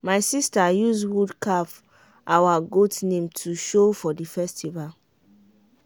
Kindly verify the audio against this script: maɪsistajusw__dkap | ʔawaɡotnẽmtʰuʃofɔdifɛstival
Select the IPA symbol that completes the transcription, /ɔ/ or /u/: u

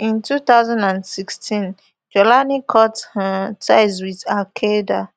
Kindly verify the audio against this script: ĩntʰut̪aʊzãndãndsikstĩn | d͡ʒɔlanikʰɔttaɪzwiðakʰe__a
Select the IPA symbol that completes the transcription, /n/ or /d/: d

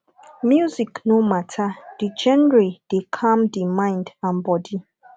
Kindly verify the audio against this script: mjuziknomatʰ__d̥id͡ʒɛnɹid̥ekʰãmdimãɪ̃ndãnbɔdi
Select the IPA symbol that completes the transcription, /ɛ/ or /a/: a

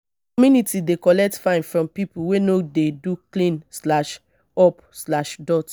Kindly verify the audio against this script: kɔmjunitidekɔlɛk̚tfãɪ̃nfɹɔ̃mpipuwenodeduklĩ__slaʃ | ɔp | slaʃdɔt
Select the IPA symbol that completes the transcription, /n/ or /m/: n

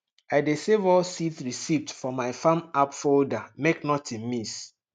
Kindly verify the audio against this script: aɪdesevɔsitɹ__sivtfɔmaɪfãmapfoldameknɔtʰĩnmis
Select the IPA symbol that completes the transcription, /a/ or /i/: i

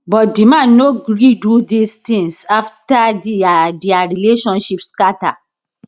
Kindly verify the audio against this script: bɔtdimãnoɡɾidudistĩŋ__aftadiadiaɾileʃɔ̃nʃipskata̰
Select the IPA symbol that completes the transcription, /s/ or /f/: s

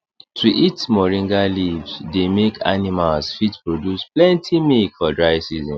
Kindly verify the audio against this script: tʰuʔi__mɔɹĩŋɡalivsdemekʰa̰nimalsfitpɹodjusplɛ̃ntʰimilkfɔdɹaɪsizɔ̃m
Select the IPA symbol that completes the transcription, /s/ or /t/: t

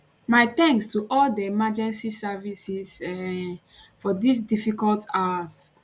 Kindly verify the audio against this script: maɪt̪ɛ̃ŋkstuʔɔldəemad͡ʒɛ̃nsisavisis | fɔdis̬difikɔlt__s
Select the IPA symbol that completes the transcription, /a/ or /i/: a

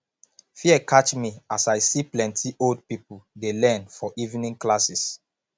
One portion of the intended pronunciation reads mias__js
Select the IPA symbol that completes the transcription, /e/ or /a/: a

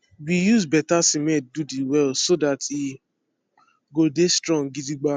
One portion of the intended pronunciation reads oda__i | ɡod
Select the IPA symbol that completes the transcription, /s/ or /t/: t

